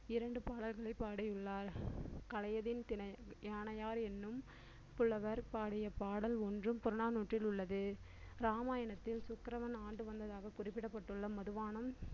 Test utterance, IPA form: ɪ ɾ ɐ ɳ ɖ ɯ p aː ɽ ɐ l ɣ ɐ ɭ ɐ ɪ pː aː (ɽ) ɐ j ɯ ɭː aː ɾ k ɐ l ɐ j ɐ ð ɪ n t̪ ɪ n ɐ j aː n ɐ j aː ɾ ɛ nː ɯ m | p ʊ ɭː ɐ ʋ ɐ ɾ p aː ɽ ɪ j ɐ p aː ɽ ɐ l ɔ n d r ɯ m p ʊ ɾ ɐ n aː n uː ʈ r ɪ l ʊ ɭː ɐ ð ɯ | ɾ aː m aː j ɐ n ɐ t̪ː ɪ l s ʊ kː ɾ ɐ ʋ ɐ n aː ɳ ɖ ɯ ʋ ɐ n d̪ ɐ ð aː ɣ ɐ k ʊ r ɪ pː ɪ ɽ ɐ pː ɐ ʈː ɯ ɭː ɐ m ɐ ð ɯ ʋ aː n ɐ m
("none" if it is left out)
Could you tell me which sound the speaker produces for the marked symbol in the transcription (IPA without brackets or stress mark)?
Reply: ɽ